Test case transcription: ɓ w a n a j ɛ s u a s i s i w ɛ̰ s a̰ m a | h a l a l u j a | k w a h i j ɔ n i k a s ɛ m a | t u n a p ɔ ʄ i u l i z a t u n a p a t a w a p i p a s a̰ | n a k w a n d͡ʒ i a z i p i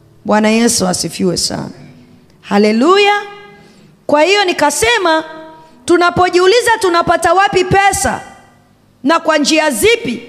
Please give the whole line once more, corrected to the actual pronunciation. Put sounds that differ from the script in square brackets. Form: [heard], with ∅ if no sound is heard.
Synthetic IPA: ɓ w a n a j ɛ s u a s i [f] i w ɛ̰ s a̰ [n] a | h a l [ɛ] l u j a | k w a h i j ɔ n i k a s ɛ m a | t u n a p ɔ ʄ i u l i z a t u n a p a t a w a p i p [ɛ] s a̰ | n a k w a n d͡ʒ i a z i p i